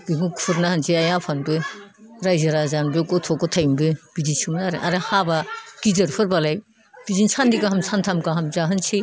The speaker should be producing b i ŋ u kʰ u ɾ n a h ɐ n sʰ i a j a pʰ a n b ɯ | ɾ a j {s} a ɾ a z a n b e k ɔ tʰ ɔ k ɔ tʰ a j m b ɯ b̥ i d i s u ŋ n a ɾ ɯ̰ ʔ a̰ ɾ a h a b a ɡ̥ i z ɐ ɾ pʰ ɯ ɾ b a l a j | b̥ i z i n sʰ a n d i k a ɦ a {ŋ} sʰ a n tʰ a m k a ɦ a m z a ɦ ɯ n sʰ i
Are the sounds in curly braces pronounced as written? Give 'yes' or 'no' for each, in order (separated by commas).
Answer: no, no